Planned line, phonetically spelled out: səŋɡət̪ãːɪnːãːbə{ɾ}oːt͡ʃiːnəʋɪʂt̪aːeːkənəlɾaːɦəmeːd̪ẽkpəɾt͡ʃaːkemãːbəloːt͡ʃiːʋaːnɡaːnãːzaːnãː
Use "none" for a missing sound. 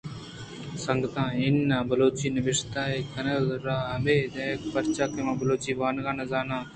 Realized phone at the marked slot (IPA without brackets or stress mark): l